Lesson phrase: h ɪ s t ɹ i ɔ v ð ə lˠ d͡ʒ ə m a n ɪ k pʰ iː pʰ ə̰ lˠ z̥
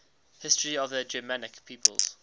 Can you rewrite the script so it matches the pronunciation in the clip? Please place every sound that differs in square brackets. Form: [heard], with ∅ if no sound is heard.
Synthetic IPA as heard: h ɪ s t ɹ i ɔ v ð ə [∅] d͡ʒ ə m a n ɪ k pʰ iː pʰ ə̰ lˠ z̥